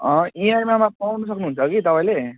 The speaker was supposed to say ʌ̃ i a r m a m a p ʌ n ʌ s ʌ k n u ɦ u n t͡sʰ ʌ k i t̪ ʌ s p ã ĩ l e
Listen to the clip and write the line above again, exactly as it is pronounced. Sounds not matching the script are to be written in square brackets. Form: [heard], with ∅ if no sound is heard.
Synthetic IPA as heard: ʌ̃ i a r m a m a p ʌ n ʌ s ʌ k n u ɦ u n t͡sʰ ʌ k i t̪ ʌ [∅] p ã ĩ l e